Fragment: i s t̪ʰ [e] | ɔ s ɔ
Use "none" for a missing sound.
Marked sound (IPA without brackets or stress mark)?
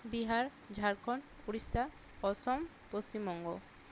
a